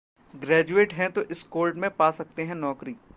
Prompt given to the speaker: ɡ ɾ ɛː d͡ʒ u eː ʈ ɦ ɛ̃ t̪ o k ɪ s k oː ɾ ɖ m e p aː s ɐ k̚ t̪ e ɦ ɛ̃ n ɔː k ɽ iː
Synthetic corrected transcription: ɡ ɾ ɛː d͡ʒ u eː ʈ ɦ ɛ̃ t̪ o ʔ ɪ s k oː l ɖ m ẽ p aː s ɐ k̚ t̪ e ɦ ɛ̃ n ɔː k ɾ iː